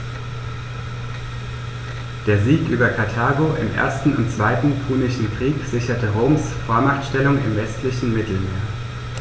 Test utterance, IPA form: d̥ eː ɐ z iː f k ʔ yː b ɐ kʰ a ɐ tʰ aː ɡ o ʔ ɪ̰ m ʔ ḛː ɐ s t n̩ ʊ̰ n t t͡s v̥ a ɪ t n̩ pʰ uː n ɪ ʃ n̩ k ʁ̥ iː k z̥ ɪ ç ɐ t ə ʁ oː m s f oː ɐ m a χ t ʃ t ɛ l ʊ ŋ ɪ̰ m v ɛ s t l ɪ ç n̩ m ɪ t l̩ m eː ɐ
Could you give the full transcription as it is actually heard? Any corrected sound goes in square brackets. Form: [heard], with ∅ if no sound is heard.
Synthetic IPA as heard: d̥ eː ɐ z iː [∅] k ʔ yː b ɐ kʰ a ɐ tʰ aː ɡ o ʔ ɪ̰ m ʔ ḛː ɐ s t n̩ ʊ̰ n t t͡s v̥ a ɪ t n̩ pʰ uː n ɪ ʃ n̩ k ʁ̥ iː k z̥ ɪ ç ɐ t ə ʁ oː m s f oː ɐ m a χ t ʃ t ɛ l ʊ ŋ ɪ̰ m v ɛ s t l ɪ ç n̩ m ɪ t l̩ m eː ɐ